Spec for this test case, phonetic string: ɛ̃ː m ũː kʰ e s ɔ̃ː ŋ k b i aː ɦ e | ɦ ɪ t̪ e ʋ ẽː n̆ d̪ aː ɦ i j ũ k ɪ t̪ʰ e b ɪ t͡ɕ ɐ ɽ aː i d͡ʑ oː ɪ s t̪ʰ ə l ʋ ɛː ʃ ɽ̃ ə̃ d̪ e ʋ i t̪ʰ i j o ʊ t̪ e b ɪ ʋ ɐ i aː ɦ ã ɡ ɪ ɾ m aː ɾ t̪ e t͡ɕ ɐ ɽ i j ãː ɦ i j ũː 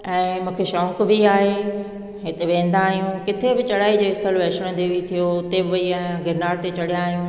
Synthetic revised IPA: ɛ̃ː m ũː kʰ e ʃ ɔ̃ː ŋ k b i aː ɦ e | ɦ ɪ t̪ e ʋ ẽː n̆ d̪ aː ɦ i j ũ k ɪ t̪ʰ e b ɪ t͡ɕ ɐ ɽ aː i d͡ʑ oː ɪ s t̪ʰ ə l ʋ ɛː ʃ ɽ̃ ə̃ d̪ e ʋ i t̪ʰ i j o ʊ t̪ e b ɪ ʋ ɐ i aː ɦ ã ɡ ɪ ɾ n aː ɾ t̪ e t͡ɕ ɐ ɽ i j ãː ɦ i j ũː